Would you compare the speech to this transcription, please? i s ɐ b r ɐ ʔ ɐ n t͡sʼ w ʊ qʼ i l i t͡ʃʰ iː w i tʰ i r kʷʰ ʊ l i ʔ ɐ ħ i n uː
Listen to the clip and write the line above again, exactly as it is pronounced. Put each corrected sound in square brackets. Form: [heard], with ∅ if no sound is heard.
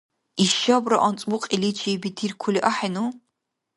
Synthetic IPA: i [ʃ] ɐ b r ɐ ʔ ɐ n t͡sʼ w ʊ qʼ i l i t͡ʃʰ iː [b] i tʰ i r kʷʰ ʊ l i ʔ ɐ ħ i n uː